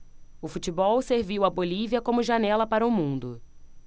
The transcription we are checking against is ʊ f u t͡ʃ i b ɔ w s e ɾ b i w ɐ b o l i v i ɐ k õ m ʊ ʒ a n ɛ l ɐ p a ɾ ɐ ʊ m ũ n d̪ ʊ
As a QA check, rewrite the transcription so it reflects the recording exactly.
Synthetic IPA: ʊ f u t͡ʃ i b ɔ w s e ɾ v i w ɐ b o l i v i ɐ k õ m ʊ ʒ a n ɛ l ɐ p a ɾ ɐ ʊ m ũ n d̪ ʊ